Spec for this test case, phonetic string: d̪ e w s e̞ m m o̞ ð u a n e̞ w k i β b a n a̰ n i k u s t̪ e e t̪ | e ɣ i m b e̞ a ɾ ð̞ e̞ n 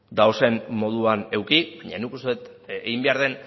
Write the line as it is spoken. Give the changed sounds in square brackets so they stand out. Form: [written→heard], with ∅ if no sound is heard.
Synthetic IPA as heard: d̪ [e→a] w s e̞ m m o̞ ð u a n e̞ w k i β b a [n→ɲ] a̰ n i k u s t̪ e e t̪ | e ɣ i m b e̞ a ɾ ð̞ e̞ n